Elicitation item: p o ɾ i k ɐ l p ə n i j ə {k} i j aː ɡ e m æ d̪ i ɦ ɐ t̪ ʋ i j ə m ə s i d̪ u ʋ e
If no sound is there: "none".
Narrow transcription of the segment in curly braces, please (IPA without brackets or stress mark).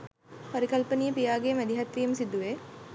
p